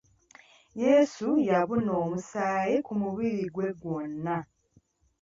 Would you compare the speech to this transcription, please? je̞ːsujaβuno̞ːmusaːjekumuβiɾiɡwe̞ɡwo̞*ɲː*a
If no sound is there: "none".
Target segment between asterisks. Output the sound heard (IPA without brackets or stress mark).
nː